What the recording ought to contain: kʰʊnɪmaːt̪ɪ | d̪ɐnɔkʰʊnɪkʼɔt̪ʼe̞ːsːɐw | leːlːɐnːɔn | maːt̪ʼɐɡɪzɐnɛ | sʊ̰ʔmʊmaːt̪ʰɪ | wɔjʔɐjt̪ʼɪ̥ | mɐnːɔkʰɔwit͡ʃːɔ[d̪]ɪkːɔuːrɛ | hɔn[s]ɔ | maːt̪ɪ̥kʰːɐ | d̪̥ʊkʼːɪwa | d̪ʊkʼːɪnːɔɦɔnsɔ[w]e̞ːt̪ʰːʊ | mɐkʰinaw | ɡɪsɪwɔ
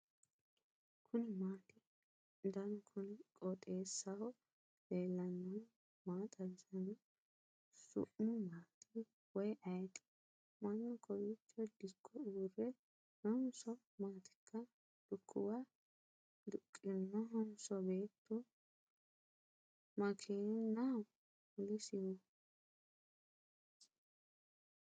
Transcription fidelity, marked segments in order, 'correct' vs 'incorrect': correct, correct, incorrect: b

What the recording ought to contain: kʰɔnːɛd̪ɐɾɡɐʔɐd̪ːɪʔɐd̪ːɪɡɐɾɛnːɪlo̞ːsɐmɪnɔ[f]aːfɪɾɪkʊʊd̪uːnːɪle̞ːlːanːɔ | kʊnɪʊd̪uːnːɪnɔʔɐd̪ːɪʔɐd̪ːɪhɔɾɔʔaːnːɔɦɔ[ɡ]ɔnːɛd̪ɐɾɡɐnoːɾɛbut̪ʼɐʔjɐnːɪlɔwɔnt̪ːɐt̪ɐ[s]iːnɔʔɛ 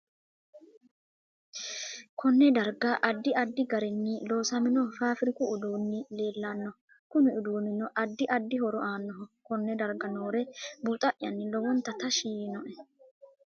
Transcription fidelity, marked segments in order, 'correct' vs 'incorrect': correct, incorrect: k, incorrect: ʃ

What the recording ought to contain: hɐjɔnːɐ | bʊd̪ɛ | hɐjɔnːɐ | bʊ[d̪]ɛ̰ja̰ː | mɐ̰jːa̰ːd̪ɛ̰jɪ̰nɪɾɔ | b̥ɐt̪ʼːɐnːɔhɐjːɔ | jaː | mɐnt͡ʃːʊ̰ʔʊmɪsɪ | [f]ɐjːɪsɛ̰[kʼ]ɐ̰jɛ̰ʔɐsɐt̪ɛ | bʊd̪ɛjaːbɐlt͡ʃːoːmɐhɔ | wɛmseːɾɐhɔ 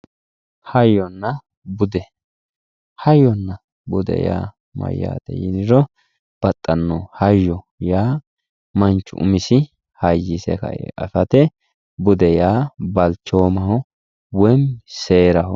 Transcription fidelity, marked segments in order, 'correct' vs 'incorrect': correct, incorrect: h, incorrect: k

